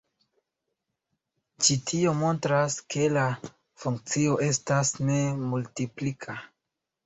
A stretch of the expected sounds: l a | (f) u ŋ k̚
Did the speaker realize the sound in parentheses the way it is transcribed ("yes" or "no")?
yes